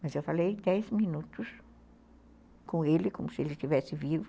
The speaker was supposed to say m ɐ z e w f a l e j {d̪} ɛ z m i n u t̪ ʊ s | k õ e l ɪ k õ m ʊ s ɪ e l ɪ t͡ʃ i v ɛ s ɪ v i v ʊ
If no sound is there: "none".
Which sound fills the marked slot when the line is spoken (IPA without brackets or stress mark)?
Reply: d̪